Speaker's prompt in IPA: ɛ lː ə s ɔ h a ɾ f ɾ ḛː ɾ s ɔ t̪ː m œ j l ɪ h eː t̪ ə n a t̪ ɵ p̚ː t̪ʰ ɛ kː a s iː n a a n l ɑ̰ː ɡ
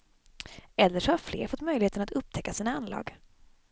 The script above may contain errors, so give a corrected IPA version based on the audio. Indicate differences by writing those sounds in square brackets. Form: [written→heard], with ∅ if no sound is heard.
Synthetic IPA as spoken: ɛ lː ə [s→ʂ] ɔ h a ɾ f [ɾ→l] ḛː ɾ [s→f] ɔ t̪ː m œ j l ɪ h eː t̪ ə n a t̪ ɵ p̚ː t̪ʰ ɛ kː a s iː n a a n l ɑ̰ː ɡ